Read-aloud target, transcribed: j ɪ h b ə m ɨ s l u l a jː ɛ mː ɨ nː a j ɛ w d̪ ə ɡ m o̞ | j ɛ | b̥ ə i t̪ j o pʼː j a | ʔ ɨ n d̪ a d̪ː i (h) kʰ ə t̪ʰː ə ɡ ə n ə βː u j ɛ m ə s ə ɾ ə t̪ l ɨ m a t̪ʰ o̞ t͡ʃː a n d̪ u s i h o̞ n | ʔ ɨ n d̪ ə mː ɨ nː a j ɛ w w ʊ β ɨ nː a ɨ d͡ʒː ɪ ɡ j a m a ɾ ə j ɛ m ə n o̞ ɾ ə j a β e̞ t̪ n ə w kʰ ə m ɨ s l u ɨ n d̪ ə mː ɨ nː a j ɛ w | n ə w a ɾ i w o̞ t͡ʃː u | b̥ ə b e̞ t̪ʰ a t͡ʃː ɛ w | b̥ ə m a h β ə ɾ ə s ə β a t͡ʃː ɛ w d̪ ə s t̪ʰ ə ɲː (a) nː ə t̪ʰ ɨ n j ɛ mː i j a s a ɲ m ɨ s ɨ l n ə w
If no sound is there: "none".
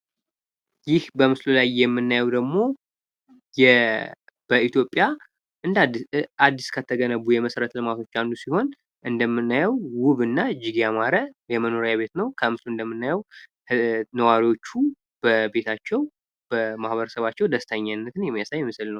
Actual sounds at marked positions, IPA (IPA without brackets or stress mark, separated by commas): s, a